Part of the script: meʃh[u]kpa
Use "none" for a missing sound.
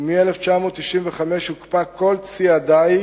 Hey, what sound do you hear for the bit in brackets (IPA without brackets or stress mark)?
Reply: u